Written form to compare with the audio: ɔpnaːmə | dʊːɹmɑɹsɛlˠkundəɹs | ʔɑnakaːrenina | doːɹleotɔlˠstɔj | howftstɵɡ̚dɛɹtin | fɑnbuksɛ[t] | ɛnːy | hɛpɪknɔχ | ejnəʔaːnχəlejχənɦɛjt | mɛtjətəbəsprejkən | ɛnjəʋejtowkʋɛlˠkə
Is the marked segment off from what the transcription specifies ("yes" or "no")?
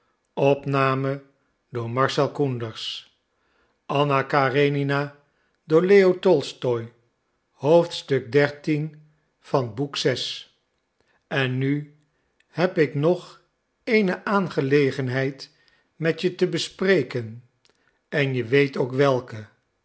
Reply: yes